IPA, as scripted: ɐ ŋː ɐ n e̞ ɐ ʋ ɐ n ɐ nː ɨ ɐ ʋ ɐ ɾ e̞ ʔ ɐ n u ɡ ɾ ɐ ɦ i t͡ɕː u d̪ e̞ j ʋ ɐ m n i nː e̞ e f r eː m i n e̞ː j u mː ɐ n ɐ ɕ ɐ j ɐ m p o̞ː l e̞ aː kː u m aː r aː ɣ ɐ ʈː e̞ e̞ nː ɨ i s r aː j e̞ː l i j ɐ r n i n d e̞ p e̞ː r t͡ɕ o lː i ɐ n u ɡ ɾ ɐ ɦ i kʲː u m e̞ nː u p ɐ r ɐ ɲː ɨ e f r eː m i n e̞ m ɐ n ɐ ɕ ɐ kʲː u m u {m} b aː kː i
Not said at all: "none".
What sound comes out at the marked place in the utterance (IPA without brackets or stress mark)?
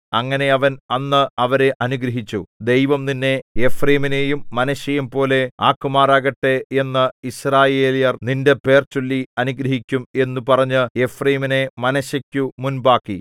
n